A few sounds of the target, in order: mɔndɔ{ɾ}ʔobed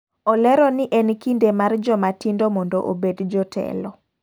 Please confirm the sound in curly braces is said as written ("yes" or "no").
no